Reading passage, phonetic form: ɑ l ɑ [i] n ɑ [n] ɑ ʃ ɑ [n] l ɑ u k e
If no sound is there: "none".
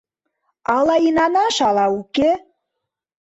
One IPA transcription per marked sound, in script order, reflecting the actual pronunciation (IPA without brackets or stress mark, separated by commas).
i, n, none